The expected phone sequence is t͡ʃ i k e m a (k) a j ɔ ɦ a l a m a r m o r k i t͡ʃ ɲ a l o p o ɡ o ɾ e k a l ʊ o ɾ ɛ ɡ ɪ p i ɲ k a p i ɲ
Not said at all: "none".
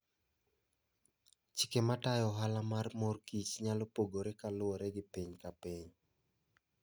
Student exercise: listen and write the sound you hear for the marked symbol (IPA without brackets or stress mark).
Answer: t